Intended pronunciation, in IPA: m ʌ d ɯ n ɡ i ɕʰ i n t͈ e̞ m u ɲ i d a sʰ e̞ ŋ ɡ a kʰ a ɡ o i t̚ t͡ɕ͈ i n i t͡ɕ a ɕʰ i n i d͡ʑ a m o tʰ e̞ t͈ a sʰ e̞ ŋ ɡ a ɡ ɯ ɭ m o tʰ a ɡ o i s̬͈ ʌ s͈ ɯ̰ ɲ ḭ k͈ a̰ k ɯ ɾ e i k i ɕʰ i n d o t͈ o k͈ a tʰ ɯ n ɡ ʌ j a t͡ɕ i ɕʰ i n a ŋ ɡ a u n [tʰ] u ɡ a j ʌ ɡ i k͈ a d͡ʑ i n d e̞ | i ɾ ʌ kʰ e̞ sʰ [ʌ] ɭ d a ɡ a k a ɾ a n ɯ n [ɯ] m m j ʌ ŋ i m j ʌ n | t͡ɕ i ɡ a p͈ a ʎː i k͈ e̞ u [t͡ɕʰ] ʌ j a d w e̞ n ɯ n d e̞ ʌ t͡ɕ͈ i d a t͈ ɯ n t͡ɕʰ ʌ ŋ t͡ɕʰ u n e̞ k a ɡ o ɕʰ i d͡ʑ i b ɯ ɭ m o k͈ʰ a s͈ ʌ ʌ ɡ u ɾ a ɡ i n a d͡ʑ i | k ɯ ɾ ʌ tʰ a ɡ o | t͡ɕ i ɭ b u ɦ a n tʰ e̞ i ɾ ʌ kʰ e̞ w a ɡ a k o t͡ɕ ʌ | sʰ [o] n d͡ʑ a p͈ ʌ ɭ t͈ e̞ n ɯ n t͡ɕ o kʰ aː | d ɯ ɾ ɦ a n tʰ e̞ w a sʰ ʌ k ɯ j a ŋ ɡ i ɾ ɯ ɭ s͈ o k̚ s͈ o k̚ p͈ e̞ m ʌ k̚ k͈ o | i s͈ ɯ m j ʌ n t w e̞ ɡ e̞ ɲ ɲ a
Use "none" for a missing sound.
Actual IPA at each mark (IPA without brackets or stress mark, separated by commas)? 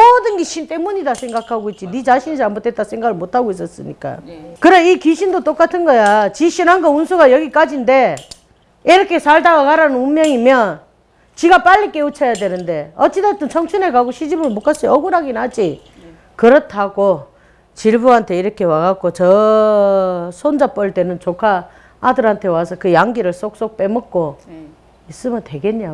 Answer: sʰ, a, u, t͡ɕʰ, o